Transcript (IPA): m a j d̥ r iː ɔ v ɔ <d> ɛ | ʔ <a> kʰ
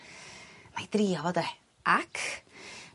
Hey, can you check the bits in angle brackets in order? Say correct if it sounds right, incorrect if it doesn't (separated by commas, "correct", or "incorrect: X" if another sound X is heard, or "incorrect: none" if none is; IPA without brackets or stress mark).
correct, correct